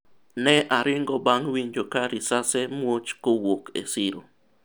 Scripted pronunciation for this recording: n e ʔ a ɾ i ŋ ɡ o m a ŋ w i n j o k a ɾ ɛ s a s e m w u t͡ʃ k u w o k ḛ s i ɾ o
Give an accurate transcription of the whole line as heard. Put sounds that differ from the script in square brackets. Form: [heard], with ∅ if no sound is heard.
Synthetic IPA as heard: n e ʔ a ɾ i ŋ ɡ o [b] a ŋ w i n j o k a ɾ [i] s a s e m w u t͡ʃ k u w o k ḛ s i ɾ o